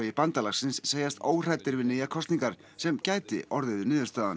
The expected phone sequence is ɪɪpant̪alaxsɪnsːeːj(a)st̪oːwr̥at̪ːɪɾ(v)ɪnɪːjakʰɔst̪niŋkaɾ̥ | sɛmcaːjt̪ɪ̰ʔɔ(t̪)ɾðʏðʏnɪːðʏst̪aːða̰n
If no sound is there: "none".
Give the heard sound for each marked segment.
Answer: a, v, none

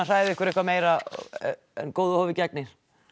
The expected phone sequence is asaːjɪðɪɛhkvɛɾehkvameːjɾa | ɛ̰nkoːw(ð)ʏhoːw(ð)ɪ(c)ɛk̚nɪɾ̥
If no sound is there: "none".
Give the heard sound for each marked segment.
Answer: ð, v, c

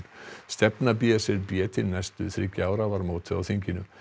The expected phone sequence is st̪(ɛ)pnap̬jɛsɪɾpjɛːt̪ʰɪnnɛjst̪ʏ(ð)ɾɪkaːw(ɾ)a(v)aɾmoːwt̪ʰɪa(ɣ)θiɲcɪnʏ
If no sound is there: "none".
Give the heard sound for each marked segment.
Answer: ɛ, θ, ɾ, v, w

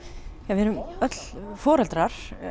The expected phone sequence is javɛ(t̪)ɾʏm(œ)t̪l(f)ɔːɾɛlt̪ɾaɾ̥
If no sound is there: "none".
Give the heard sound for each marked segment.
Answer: none, œ, f

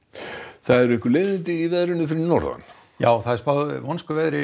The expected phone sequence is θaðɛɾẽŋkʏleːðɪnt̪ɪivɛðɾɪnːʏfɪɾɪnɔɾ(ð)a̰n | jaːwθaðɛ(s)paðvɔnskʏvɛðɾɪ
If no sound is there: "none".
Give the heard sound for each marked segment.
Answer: ð, s

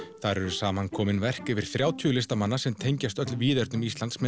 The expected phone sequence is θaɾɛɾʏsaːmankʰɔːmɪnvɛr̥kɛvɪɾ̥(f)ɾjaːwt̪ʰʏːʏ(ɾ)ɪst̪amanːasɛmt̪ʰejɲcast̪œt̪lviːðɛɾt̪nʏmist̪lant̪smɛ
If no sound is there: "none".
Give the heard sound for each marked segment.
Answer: θ, l

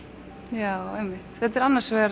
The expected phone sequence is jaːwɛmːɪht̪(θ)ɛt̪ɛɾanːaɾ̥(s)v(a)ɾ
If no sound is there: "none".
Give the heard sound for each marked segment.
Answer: θ, s, ɛ

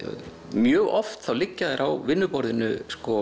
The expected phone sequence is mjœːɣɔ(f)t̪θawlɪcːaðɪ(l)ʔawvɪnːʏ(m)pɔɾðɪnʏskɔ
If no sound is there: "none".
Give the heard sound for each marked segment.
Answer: f, ɾ, none

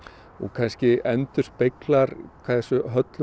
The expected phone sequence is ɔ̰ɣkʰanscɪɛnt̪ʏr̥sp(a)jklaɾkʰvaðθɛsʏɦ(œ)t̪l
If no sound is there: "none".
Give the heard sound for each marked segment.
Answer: e, œ

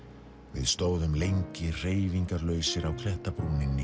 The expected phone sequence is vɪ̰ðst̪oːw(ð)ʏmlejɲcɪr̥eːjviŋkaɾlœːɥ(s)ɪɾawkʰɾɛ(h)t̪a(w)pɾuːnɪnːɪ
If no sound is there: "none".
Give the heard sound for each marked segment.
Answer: ð, s, h, none

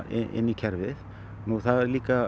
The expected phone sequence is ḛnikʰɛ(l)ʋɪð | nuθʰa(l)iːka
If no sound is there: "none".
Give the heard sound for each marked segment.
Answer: ɾ, l

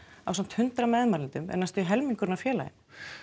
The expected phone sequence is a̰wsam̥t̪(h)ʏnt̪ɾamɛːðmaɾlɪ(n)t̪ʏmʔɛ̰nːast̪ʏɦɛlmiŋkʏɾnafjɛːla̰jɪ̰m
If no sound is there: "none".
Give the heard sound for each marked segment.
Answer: h, n

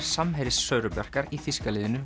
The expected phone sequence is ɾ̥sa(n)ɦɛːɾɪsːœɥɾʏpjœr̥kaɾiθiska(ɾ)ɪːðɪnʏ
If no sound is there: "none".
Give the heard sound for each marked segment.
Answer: m, l

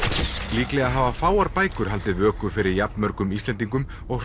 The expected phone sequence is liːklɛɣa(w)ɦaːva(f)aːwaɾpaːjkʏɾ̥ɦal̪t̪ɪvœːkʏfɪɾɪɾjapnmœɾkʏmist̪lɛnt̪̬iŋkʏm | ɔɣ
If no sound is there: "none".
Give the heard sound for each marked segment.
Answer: none, f

